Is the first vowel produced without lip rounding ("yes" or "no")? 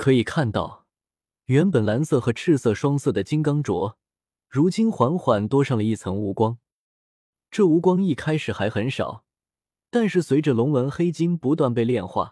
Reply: yes